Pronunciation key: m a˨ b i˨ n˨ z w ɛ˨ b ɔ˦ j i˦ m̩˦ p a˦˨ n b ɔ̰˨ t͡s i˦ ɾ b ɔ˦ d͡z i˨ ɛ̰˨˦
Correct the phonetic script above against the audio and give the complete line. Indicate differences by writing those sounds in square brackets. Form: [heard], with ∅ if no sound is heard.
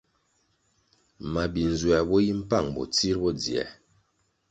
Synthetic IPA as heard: m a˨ b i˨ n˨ z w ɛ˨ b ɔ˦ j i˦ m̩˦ p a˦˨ [ŋ] b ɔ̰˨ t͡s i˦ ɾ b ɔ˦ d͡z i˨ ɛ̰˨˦